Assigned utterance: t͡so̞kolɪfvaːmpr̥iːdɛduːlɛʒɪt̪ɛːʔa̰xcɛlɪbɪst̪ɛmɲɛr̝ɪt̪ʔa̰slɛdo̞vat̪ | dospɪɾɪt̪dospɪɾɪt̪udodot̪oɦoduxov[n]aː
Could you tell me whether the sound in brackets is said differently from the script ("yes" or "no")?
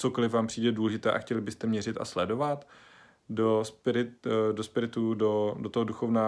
no